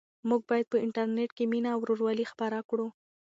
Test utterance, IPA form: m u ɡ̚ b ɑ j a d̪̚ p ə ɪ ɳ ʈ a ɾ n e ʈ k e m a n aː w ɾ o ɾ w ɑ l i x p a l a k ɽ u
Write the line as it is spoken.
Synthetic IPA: m u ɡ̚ b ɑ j a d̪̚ p ə ɪ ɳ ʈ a ɾ n e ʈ k e m i n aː w ɾ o ɾ w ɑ l i x p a ɾ a k ɽ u